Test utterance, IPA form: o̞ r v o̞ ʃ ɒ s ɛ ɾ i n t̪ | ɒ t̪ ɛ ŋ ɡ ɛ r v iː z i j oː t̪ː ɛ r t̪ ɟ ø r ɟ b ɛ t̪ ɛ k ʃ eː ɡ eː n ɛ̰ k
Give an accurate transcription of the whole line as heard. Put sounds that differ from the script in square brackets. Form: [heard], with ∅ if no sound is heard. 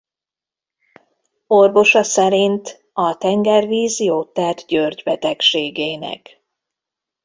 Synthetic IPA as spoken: o̞ r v o̞ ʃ ɒ s ɛ ɾ i n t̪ | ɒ t̪ ɛ ŋ ɡ ɛ r v iː z i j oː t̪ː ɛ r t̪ ɟ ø r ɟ b ɛ t̪ ɛ k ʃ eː ɡ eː n ɛ̰ k